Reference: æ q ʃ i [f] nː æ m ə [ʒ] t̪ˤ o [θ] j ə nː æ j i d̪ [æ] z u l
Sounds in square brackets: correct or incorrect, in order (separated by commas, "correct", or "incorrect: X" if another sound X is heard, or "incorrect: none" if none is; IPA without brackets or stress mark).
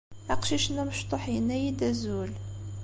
incorrect: ʃ, incorrect: ʃ, incorrect: ħ, correct